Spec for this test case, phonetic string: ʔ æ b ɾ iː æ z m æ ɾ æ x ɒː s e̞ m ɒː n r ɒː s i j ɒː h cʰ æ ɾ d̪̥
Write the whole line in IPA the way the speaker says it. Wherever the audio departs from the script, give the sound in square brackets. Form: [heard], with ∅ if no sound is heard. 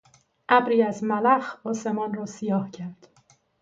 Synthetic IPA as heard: ʔ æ b ɾ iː æ z m æ [l] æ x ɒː s e̞ m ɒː n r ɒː s i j ɒː h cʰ æ ɾ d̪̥